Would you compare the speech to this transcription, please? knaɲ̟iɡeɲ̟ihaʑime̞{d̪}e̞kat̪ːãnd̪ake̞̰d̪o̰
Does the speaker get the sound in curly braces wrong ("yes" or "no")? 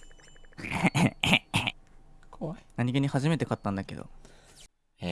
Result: yes